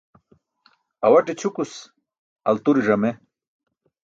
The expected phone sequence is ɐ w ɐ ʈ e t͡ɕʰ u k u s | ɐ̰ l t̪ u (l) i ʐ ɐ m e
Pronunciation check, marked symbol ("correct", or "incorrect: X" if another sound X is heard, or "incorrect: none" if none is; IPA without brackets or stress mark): incorrect: ɾ